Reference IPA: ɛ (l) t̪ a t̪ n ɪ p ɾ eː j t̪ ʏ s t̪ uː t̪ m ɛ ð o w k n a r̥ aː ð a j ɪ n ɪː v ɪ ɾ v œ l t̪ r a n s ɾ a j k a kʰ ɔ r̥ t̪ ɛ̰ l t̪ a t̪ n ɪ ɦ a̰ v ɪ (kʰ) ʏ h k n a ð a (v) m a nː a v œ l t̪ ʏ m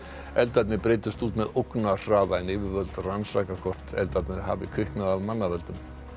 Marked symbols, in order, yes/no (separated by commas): yes, yes, yes